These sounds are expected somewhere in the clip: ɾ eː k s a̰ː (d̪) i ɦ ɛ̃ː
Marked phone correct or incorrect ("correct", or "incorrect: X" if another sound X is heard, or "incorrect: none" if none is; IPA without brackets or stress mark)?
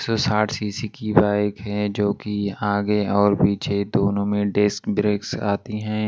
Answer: incorrect: t̪